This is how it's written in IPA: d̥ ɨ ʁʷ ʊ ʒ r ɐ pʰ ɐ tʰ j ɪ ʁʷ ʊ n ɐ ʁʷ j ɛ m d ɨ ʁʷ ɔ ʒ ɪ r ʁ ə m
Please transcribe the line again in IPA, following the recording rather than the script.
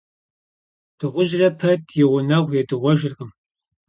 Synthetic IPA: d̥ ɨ ʁʷ ʊ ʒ r ɐ pʰ ɐ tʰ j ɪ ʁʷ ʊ n ɐ ʁʷ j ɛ d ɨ ʁʷ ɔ ʒ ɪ r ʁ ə m